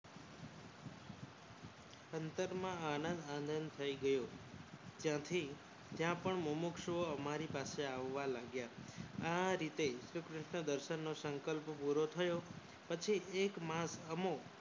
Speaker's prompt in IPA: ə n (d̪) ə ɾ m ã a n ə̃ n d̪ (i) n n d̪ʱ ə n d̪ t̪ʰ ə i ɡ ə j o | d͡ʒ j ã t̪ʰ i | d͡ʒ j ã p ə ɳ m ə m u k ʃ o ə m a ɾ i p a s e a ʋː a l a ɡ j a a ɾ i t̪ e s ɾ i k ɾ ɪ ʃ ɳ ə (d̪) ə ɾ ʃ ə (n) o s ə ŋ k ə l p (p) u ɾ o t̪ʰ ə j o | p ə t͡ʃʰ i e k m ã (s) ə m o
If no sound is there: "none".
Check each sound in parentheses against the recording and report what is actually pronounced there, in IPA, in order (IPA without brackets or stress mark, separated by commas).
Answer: t̪, a, d̪, nː, p, s